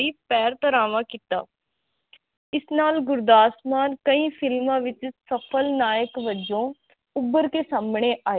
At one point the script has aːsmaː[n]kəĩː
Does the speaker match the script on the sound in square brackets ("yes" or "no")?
yes